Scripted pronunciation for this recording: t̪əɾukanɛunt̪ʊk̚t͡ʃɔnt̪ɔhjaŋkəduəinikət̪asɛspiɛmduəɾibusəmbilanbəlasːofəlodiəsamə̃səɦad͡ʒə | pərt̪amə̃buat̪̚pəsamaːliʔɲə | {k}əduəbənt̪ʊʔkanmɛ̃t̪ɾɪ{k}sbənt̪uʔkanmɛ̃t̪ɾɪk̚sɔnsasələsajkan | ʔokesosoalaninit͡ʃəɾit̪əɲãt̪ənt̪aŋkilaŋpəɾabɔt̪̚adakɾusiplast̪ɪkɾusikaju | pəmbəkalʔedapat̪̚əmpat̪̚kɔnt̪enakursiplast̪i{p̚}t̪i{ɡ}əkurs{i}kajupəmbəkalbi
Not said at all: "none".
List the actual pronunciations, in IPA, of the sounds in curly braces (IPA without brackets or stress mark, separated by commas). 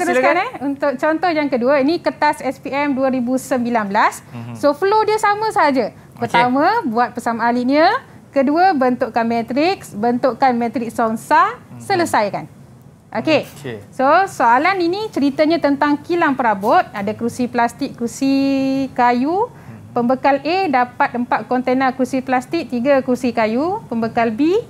k, k, k̚, ɡ, i